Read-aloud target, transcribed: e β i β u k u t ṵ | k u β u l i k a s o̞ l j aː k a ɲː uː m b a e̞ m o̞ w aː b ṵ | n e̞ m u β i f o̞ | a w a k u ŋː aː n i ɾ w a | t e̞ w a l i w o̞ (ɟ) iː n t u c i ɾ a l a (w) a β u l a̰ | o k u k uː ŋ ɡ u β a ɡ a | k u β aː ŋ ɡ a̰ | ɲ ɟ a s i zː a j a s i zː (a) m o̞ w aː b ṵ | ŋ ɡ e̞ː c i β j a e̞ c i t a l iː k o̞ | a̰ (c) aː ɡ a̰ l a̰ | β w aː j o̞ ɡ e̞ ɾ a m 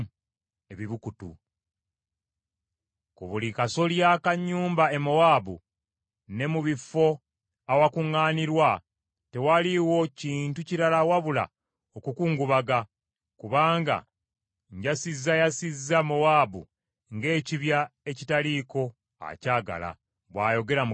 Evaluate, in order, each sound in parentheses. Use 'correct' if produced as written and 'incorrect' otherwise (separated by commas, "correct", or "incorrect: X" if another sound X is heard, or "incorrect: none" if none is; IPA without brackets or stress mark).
incorrect: c, correct, correct, correct